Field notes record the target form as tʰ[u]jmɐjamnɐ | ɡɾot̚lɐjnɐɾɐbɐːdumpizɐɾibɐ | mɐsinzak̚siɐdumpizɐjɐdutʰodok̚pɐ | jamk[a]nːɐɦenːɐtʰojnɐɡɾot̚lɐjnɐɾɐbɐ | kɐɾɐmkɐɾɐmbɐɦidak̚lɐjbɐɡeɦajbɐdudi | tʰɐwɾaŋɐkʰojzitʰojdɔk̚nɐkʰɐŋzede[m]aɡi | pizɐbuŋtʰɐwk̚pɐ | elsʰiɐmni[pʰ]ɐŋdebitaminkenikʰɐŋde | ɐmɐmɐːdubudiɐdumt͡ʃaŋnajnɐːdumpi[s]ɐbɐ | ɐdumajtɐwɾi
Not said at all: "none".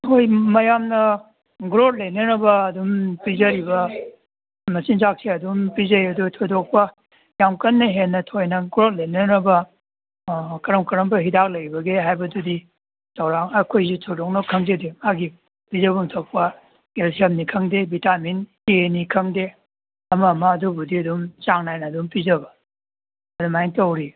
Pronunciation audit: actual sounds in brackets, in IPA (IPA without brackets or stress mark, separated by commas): o, ɐ, m, kʰ, z